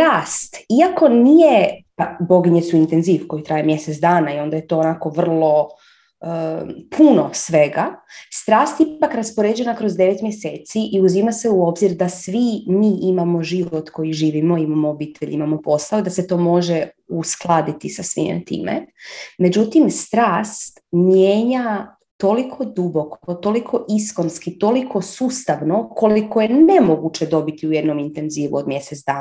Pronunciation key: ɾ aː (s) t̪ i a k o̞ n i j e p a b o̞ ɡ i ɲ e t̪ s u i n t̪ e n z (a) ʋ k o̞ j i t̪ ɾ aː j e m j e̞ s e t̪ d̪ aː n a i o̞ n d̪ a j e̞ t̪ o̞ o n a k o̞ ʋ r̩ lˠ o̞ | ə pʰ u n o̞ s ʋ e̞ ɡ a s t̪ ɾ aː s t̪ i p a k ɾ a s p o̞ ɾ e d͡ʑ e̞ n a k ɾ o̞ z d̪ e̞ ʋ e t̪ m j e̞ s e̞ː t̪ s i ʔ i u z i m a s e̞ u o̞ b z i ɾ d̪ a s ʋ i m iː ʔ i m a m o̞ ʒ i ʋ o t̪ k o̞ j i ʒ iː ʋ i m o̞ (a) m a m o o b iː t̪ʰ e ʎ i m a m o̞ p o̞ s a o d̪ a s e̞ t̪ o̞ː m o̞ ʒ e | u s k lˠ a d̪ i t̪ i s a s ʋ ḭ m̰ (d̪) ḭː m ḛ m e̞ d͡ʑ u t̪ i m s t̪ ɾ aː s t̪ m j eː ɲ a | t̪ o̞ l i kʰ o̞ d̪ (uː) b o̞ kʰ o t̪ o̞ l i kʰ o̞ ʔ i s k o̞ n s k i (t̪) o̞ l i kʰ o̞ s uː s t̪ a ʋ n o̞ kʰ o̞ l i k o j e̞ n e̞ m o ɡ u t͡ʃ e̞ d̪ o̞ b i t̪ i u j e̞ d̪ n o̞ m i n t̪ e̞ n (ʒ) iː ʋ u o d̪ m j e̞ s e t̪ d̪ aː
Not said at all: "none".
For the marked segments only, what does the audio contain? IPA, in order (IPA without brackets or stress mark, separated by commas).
s, i, i, t̪, u, t̪, z